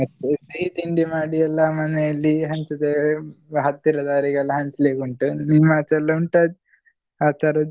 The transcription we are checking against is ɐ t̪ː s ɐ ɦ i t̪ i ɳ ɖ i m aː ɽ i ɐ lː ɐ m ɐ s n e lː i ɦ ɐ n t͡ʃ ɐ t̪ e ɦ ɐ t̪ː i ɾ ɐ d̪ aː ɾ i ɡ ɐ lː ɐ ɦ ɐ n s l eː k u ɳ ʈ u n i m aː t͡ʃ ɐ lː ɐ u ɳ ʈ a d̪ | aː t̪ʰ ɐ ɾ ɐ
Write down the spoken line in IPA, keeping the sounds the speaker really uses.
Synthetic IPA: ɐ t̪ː s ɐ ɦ i t̪ i ɳ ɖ i m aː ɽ i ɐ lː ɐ m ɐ n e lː i ɦ ɐ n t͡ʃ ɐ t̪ e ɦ ɐ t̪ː i ɾ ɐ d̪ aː ɾ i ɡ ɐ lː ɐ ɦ ɐ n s l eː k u ɳ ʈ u n i m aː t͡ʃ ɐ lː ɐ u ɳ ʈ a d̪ | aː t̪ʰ ɐ ɾ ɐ